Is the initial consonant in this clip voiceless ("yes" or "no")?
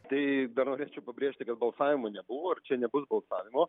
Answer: yes